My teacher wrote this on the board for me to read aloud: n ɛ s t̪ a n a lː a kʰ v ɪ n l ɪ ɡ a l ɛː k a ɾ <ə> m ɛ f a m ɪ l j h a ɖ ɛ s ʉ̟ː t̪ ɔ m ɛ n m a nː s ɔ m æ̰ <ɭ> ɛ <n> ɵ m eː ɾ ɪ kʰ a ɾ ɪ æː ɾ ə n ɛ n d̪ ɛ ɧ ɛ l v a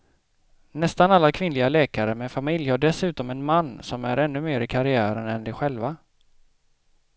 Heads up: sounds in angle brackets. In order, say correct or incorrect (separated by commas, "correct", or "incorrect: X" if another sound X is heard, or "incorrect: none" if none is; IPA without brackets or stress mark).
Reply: correct, incorrect: ɾ, incorrect: nː